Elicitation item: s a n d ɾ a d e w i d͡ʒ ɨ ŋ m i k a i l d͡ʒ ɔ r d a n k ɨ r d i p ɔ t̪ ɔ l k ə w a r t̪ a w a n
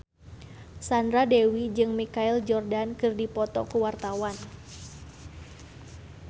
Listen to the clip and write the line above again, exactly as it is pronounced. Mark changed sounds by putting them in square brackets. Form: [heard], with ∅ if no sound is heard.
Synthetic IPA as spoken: s a n d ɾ a d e w i d͡ʒ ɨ ŋ m i k a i l d͡ʒ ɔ r d a n k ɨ r d i p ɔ t̪ ɔ [∅] k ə w a r t̪ a w a n